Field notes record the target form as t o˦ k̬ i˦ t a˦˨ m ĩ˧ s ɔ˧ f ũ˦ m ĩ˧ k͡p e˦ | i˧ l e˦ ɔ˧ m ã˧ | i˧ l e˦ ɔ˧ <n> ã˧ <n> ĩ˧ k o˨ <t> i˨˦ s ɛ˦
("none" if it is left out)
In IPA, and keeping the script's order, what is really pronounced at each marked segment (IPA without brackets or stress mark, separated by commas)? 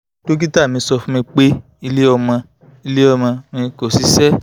m, m, s